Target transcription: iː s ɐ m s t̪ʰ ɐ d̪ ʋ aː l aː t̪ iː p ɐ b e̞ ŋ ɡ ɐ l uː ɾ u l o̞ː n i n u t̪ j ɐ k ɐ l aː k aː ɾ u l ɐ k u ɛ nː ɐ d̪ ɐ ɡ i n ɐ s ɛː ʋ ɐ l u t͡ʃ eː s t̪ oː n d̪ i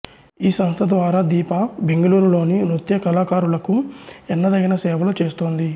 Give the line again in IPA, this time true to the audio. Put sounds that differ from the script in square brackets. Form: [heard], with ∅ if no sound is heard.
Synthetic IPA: iː s ɐ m s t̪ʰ ɐ d̪ ʋ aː [ɾ] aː [d̪] iː p ɐ b e̞ ŋ ɡ ɐ l uː ɾ u l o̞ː n i n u t̪ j ɐ k ɐ l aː k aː ɾ u l ɐ k u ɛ nː ɐ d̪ ɐ ɡ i n ɐ s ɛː ʋ ɐ l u t͡ʃ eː s t̪ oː n d̪ i